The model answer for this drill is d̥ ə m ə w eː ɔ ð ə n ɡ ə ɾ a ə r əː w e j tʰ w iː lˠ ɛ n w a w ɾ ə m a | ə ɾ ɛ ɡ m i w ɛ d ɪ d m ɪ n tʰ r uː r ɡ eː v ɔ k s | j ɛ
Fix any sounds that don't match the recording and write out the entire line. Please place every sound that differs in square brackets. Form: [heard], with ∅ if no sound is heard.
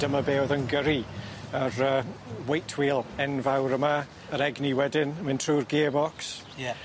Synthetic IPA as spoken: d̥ ə m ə [b] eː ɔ ð ə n ɡ ə ɾ [i] ə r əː w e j tʰ w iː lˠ ɛ n [v] a w ɾ ə m a | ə ɾ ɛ ɡ [n] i w ɛ d ɪ [n] m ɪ n tʰ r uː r ɡ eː [b] ɔ k s | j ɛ